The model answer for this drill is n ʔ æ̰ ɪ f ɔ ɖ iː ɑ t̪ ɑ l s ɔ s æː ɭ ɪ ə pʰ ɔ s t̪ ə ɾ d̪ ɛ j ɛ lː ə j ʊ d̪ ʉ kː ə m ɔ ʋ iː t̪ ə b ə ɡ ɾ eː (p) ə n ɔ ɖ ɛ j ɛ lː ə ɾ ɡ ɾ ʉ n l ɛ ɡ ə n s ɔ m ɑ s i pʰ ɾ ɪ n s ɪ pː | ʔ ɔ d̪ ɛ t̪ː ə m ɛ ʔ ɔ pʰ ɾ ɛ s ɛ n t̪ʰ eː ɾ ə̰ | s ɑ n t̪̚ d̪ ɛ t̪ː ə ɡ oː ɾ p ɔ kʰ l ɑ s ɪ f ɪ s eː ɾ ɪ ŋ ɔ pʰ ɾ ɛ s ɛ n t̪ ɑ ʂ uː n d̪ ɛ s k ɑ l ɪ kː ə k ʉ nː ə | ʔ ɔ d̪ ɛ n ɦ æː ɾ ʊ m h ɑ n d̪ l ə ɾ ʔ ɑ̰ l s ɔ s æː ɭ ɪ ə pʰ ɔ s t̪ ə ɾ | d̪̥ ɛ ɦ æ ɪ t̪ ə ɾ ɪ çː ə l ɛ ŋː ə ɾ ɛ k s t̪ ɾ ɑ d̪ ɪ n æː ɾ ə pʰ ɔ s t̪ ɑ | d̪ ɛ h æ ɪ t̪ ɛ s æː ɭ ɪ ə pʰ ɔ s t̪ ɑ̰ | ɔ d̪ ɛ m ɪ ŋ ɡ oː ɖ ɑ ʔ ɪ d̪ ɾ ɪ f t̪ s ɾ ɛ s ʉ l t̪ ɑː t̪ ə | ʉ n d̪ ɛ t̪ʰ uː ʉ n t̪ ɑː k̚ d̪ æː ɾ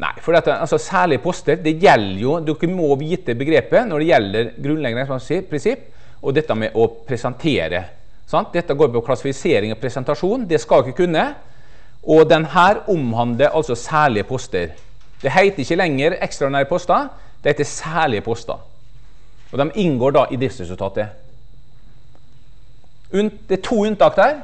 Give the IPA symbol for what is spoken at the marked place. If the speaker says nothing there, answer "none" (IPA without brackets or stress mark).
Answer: p